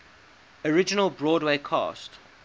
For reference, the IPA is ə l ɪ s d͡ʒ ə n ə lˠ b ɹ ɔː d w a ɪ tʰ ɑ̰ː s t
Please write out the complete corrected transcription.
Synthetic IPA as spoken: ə ɹ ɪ d͡ʒ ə n ə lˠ b ɹ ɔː d w e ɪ kʰ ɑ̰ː s t